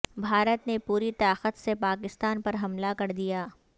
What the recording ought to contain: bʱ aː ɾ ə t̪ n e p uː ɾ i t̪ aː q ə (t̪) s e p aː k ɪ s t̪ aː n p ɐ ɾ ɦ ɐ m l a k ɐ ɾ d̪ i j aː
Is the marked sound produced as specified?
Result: yes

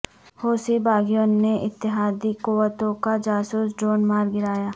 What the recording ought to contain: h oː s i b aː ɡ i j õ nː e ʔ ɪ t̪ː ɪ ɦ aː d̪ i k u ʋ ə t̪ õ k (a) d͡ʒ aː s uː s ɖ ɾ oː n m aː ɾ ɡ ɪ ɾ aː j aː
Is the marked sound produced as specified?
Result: yes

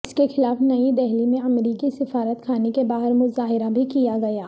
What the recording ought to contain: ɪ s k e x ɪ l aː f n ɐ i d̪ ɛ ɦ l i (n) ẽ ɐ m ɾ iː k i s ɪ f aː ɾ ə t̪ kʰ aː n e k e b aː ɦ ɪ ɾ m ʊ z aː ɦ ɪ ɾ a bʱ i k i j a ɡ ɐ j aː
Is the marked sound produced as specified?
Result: no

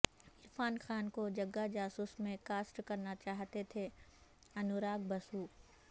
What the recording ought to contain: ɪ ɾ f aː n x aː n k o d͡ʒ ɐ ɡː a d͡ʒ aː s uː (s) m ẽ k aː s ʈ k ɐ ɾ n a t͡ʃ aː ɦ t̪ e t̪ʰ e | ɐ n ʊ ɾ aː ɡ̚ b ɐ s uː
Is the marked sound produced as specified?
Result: yes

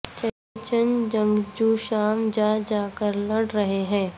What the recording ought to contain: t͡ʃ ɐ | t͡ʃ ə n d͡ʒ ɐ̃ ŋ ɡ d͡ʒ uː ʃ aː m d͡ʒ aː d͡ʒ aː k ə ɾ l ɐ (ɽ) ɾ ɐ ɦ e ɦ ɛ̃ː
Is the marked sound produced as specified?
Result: yes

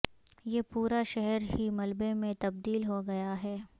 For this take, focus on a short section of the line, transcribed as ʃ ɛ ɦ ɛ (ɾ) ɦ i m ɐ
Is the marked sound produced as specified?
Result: yes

